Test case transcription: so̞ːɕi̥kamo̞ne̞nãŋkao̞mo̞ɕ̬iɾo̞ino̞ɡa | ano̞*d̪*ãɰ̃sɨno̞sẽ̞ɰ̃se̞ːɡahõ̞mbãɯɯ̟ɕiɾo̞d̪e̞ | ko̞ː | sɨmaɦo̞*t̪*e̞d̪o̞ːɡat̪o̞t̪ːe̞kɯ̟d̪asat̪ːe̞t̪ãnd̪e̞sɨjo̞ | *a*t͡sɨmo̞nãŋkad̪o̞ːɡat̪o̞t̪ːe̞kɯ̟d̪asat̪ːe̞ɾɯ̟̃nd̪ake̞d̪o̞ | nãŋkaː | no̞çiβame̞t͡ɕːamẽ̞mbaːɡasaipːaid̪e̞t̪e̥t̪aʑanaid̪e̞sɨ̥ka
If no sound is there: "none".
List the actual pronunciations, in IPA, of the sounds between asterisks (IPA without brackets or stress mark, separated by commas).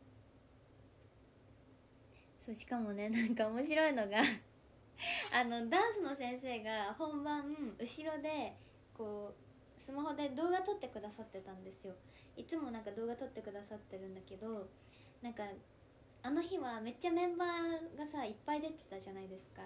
d̪, d̪, i